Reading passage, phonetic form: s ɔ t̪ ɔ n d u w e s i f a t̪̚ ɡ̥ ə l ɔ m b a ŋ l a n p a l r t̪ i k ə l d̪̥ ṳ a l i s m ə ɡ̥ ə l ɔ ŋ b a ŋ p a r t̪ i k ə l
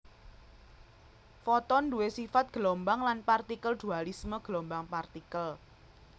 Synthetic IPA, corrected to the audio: f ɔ t̪ ɔ n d u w e s i f a t̪̚ ɡ̥ ə l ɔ m b a ŋ l a n p a r t̪ i k ə l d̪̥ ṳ a l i s m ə ɡ̥ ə l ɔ m b a ŋ p a r t̪ i k ə l